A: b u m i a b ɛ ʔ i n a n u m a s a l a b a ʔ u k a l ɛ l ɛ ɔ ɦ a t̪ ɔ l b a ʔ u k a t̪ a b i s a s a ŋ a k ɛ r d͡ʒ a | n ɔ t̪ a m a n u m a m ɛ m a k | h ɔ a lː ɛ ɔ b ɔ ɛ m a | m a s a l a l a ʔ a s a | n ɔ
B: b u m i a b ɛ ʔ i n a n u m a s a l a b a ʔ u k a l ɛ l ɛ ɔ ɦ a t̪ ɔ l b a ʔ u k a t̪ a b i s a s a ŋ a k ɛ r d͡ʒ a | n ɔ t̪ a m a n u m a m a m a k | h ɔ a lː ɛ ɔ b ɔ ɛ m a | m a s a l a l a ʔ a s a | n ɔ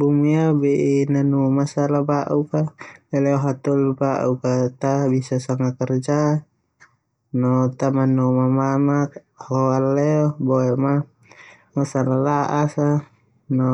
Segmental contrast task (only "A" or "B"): B